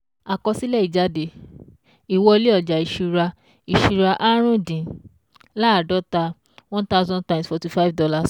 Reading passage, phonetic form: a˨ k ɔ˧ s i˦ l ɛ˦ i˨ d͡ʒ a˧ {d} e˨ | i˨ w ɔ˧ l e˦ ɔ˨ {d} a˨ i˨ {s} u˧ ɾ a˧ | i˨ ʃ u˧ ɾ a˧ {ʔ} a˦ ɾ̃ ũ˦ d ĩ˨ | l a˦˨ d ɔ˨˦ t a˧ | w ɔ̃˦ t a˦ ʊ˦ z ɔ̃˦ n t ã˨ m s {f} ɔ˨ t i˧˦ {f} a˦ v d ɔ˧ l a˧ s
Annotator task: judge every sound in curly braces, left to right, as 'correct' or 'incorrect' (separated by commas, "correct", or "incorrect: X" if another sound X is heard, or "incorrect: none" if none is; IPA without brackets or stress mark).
correct, incorrect: d͡ʒ, incorrect: ʃ, correct, correct, correct